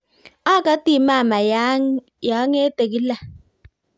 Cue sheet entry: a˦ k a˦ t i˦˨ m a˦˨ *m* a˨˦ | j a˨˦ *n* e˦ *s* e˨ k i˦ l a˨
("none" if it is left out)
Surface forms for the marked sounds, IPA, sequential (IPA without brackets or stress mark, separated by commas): m, ŋ, t